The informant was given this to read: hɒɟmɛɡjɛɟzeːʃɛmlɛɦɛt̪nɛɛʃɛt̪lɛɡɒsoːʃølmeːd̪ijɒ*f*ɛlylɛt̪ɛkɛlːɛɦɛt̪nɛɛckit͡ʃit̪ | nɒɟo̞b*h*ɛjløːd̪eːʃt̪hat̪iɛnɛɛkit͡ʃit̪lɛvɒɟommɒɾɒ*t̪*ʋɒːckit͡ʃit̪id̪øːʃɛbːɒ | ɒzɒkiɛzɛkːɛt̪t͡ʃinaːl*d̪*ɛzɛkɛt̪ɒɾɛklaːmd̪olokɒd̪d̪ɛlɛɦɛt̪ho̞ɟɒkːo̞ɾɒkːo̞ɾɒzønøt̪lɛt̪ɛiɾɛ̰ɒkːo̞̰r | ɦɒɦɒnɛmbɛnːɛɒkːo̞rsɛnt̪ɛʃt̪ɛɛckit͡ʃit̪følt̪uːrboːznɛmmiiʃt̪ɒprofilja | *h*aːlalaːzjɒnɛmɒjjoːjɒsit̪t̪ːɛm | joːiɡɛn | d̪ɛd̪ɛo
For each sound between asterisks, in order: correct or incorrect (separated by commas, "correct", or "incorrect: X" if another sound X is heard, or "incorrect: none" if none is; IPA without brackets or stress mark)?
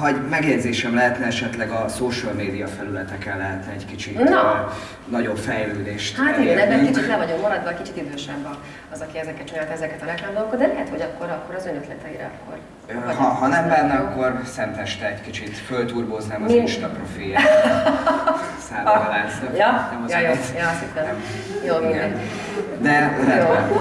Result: correct, incorrect: f, incorrect: d̪, incorrect: t̪, incorrect: s